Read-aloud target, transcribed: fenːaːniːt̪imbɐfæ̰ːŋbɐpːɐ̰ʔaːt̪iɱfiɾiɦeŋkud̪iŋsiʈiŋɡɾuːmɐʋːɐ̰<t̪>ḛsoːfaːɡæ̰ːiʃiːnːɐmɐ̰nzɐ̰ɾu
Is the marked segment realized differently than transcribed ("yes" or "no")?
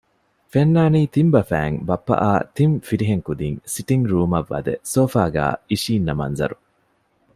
yes